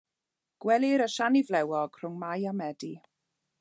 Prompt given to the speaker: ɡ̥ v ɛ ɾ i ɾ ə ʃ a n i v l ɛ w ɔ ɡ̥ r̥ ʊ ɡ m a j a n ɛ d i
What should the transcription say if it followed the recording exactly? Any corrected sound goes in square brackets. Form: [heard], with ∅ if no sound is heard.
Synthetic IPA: ɡ̥ [w] ɛ [l] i ɾ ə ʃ a n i v l ɛ w ɔ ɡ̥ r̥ ʊ [ŋ] m a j a [m] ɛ d i